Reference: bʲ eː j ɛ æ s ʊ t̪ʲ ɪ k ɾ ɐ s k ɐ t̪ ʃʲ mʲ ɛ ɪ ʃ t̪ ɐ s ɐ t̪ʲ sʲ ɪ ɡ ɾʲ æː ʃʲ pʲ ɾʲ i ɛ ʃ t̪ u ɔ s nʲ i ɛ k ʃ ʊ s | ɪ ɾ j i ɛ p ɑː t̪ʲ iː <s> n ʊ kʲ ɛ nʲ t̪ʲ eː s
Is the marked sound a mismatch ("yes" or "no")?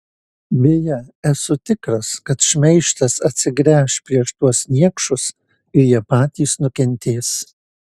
no